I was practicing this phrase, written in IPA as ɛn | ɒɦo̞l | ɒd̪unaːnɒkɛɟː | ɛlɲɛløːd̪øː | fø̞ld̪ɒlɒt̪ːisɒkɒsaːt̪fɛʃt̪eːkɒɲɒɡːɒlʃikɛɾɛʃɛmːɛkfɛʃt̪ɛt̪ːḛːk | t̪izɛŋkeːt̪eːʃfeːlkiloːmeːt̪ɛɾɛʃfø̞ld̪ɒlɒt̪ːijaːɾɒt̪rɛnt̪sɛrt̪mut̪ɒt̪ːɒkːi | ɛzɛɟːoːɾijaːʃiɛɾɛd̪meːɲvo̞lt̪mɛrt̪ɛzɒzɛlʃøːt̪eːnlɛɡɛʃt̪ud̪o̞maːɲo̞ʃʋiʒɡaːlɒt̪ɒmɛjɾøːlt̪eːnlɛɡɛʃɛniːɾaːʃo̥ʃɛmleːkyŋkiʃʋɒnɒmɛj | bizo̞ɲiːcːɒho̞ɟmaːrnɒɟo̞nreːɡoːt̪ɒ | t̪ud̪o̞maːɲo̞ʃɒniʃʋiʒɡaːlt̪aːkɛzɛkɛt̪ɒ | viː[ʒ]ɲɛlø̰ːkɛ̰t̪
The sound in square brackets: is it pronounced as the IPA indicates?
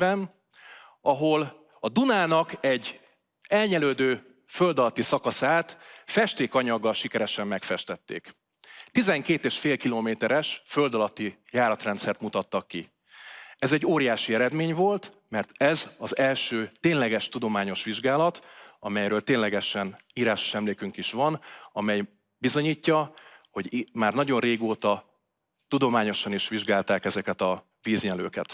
no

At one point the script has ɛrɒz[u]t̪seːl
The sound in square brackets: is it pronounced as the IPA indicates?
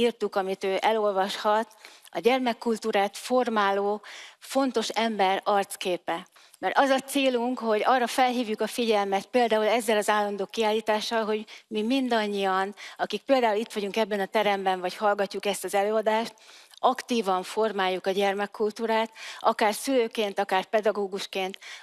no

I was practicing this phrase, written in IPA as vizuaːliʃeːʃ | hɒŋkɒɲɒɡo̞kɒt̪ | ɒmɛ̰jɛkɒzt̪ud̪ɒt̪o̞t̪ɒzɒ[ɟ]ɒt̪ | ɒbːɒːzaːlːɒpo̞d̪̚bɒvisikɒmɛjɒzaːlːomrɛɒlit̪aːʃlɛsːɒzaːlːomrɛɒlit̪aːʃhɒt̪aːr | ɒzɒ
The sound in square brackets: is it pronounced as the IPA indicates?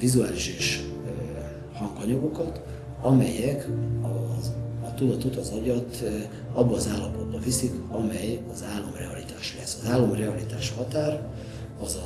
yes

